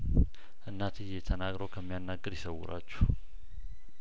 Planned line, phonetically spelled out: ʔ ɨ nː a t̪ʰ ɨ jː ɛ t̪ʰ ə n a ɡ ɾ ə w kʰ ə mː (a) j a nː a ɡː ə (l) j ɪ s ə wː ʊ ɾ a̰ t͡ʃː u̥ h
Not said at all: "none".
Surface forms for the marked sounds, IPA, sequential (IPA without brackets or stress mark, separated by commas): i, ɾ